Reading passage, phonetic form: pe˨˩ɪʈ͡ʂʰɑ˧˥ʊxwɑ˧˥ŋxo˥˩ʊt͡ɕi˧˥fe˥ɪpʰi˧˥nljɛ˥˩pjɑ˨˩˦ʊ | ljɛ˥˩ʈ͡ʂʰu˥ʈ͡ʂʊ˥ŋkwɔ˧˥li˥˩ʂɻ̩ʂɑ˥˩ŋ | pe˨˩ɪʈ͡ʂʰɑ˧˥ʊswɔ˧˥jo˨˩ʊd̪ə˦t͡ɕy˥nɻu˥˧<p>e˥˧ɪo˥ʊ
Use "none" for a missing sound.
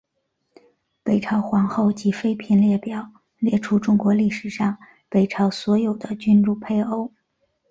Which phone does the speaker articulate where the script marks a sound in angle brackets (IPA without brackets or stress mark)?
pʰ